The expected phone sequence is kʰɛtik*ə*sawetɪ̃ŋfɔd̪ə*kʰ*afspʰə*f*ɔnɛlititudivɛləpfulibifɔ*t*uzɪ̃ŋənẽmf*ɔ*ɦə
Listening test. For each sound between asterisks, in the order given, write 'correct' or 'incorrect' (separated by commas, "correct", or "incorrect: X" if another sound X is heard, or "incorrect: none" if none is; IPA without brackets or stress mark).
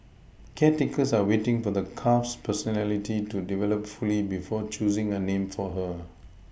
correct, correct, incorrect: s, incorrect: t͡ʃ, correct